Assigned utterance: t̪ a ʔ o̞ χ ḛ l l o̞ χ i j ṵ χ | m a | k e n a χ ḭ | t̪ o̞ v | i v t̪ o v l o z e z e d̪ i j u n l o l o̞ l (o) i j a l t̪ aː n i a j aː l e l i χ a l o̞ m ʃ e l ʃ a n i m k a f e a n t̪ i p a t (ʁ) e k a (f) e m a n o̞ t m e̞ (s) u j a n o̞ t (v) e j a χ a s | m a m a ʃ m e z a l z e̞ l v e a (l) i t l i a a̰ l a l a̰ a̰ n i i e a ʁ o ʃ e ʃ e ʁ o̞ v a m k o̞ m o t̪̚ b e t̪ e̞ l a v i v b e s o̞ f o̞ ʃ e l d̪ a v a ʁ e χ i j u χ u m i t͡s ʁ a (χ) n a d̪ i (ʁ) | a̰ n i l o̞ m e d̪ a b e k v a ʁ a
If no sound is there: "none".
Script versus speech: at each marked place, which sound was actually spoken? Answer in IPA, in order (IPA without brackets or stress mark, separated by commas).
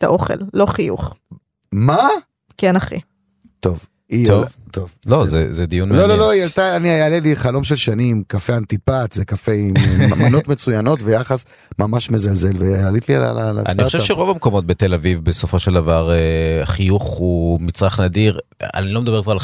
o, z, f, t͡s, v, l, χ, ʁ